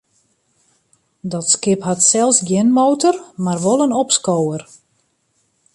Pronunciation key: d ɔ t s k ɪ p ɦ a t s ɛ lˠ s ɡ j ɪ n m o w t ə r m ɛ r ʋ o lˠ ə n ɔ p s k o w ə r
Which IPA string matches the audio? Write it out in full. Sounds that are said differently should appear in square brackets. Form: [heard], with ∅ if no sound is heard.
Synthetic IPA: d ɔ t s k ɪ p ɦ a t s ɛ lˠ s ɡ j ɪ n m o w t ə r m [a] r ʋ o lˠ ə n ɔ p s k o w ə r